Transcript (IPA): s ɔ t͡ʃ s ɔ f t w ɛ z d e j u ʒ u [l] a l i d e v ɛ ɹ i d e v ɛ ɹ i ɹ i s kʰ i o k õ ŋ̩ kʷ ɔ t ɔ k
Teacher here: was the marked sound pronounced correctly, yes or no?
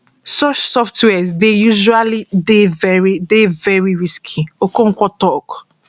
no